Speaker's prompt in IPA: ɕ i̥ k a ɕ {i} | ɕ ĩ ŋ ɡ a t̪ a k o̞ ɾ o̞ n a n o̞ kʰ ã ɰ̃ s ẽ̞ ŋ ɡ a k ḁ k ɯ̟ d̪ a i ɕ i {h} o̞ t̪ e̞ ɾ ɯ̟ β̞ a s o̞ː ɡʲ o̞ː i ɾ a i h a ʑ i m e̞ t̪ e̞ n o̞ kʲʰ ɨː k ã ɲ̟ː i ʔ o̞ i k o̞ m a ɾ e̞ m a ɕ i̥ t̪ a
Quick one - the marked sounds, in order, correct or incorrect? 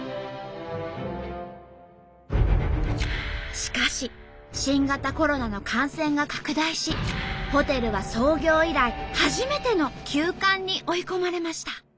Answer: correct, correct

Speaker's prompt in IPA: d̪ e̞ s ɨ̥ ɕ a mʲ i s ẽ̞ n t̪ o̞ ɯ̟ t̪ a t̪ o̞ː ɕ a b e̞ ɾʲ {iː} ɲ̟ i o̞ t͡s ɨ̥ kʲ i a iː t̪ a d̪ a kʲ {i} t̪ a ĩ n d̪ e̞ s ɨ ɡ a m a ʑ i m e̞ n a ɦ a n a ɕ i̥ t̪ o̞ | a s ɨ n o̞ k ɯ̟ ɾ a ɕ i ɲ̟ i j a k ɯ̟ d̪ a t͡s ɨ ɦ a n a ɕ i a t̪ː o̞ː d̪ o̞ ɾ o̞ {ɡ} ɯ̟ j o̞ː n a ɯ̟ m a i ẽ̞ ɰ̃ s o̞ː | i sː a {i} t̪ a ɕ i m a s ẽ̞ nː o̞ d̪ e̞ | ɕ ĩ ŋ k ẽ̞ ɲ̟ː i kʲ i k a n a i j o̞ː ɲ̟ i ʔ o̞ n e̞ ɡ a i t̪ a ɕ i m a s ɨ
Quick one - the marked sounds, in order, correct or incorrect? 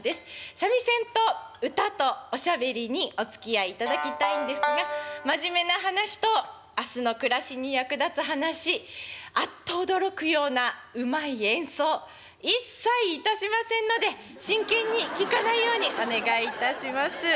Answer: incorrect: i, correct, incorrect: k, incorrect: iː

